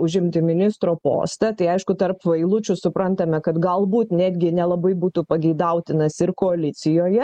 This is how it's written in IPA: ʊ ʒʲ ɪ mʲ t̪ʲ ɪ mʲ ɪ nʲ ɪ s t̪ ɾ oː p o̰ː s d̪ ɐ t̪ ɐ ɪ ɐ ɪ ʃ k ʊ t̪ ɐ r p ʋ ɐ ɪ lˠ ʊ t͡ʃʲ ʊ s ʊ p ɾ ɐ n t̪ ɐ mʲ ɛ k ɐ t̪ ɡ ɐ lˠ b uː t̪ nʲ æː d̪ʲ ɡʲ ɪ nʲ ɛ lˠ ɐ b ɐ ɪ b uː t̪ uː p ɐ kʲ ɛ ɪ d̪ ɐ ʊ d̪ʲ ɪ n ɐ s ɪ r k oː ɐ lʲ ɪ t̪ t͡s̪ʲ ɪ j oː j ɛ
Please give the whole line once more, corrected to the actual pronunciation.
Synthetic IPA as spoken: ʊ ʒʲ ɪ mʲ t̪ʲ ɪ mʲ ɪ nʲ ɪ s t̪ ɾ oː p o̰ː s t̪ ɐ t̪ ɐ ɪ ɐ ɪ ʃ k ʊ t̪ ɐ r p ʋ ɐ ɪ lˠ ʊ t͡ʃʲ ʊ s ʊ p ɾ ɐ n t̪ ɐ mʲ ɛ k ɐ t̪ ɡ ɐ lˠ b uː t̪ nʲ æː d̪ʲ ɡʲ ɪ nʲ ɛ lˠ ɐ b ɐ ɪ b uː t̪ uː p ɐ ɡʲ ɛ ɪ d̪ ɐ ʊ t̪ʲ ɪ n ɐ s ɪ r k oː ɐ lʲ ɪ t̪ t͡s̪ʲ ɪ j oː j ɛ

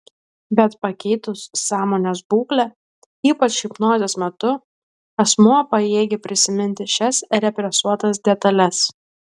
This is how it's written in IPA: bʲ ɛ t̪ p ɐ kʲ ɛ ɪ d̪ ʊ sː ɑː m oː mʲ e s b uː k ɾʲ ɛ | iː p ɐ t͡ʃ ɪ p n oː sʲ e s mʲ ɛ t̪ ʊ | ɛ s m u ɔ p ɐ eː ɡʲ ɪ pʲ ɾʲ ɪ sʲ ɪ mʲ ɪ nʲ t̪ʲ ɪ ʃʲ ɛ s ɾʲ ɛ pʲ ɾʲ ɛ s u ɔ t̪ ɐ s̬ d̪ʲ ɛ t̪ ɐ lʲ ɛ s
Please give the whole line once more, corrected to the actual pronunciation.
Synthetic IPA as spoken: bʲ ɛ t̪ p ɐ kʲ ɛ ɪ t̪ ʊ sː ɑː m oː nʲ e s b uː k lʲ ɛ | iː p ɐ t͡ʃ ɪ p n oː zʲ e s mʲ ɛ t̪ ʊ | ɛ s m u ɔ p ɐ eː ɡʲ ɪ pʲ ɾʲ ɪ sʲ ɪ mʲ ɪ nʲ t̪ʲ ɪ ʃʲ ɛ s ɾʲ ɛ pʲ ɾʲ ɛ s u ɔ t̪ ɐ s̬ d̪ʲ ɛ t̪ ɐ lʲ ɛ s

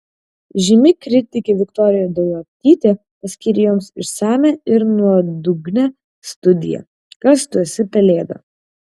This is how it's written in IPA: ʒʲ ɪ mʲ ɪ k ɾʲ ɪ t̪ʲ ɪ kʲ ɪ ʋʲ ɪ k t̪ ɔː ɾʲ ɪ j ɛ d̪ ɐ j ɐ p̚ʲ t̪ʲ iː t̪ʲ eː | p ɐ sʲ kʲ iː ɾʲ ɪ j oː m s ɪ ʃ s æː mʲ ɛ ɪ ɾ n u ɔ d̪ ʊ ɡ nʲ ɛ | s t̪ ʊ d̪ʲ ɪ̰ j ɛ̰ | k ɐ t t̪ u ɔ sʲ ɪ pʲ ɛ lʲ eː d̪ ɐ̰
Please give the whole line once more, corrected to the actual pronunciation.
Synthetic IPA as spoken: ʒʲ ɪ mʲ ɪ k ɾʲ ɪ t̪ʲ ɪ kʲ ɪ ʋʲ ɪ k t̪ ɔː ɾʲ ɪ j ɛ d̪ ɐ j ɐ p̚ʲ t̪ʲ iː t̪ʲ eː | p ɐ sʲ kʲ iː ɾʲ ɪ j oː m s ɪ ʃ s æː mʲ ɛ ɪ ɾ n u ɔ d̪ ʊ ɡ nʲ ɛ | s t̪ ʊ d̪ʲ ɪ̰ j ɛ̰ | k ɐ s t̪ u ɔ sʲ ɪ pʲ ɛ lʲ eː d̪ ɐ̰

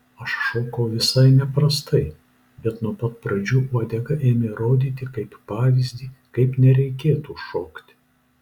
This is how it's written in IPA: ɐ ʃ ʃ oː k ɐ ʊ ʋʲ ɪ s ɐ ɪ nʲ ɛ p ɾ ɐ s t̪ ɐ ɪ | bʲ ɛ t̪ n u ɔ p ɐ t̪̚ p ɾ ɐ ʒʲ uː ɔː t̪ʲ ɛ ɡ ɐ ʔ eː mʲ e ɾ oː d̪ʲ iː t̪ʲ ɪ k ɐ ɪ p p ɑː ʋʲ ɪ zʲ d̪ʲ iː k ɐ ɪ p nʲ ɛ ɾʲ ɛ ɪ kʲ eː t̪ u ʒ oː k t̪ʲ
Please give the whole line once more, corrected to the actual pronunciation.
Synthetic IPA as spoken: ɐ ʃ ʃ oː k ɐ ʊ ʋʲ ɪ s ɐ ɪ nʲ ɛ p ɾ ɐ s t̪ ɐ ɪ | bʲ ɛ t̪ n u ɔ p ɐ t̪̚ p ɾ ɐ d͡ʒʲ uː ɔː d̪ʲ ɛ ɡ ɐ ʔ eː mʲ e ɾ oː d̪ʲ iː t̪ʲ ɪ k ɐ ɪ p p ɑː ʋʲ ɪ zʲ d̪ʲ iː k ɐ ɪ p nʲ ɛ ɾʲ ɛ ɪ kʲ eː t̪ u ʃ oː k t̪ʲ

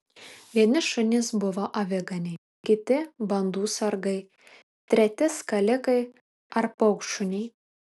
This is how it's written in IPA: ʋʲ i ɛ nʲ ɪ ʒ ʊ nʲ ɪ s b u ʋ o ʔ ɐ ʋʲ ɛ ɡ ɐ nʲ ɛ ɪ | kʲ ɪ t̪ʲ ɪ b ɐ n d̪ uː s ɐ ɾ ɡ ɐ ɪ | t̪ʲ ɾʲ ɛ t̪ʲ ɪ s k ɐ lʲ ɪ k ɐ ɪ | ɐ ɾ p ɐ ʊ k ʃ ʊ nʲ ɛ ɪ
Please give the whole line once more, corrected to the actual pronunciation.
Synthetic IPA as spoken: ʋʲ i ɛ nʲ ɪ ʃ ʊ nʲ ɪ s b ʊ ʋ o ʔ ɐ ʋʲ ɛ ɡ ɐ nʲ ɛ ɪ | kʲ ɪ t̪ʲ ɪ b ɐ n d̪ uː s ɐ ɾ ɡ ɐ ɪ | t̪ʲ ɾʲ ɛ t̪ʲ ɪ s k ɐ lʲ ɪ k ɐ ɪ | ɐ ɾ p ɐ ʊ k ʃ ʊ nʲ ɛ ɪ

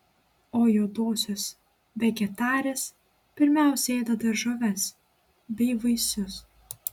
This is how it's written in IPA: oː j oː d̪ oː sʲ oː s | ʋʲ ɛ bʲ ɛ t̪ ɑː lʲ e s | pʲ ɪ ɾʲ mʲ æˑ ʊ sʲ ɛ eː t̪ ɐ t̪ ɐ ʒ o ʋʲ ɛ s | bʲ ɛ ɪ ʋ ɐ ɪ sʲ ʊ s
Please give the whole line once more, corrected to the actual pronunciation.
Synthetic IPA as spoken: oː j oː d̪ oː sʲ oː s | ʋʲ ɛ ɡʲ ɛ t̪ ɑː ɾʲ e s | pʲ ɪ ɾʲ mʲ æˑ ʊ sʲ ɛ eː d̪ ɐ d̪ ɐ ʒ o ʋʲ ɛ s | bʲ ɛ ɪ ʋ ɐ ɪ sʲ ʊ s

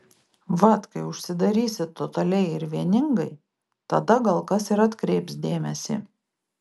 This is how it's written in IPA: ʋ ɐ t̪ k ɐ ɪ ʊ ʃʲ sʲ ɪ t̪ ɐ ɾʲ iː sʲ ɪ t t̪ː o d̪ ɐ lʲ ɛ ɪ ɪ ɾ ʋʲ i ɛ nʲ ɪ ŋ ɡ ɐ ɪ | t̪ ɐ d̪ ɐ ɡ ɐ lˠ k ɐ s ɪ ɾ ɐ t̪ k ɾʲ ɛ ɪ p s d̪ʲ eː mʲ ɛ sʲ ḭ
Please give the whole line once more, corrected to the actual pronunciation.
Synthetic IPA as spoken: ʋ ɐ t̪ k ɐ ɪ ʊ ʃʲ sʲ ɪ d̪ ɐ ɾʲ iː sʲ ɪ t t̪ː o t̪ ɐ lʲ ɛ ɪ ɪ ɾ ʋʲ i ɛ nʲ ɪ ŋ ɡ ɐ ɪ | t̪ ɐ d̪ ɐ ɡ ɐ lˠ k ɐ s ɪ ɾ ɐ t̪ k ɾʲ ɛ ɪ p s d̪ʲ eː mʲ ɛ sʲ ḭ

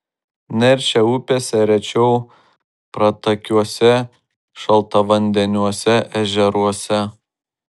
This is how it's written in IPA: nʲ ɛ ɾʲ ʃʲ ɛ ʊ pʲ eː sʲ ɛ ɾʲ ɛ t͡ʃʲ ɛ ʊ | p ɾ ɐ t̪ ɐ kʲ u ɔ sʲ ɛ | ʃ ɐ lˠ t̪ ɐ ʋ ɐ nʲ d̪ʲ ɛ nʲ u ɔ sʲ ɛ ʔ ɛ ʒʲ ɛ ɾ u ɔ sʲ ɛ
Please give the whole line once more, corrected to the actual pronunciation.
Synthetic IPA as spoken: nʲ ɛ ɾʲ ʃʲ ɛ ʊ pʲ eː sʲ ɛ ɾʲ ɛ t͡ʃʲ ɛ ʊ | p ɾ ɐ t̪ ɐ kʲ u ɔ sʲ ɛ | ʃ ɐ lˠ t̪ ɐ ʋ ɐ nʲ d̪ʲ ɛ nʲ u ɔ sʲ ɛ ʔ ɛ ʒʲ ɛ ɾ u ɔ sʲ ɛ

